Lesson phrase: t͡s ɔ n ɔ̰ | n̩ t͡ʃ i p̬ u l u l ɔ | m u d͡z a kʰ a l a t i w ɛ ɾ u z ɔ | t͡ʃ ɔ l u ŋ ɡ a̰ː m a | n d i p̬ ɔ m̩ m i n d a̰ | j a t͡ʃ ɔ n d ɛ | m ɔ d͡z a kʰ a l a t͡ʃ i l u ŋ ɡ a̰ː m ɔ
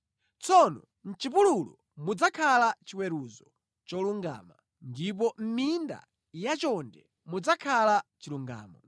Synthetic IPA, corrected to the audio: t͡s ɔ n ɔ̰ | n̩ t͡ʃ i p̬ u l u l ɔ | m u d͡z a kʰ a l a t͡ʃ i w ɛ ɾ u z ɔ | t͡ʃ ɔ l u ŋ ɡ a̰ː m a | n d i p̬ ɔ m̩ m i n d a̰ | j a t͡ʃ ɔ n d ɛ | m u d͡z a kʰ a l a t͡ʃ i l u ŋ ɡ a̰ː m ɔ